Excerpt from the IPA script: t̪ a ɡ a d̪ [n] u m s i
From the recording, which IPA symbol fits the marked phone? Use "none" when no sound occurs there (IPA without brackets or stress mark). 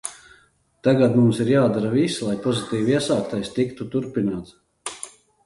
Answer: m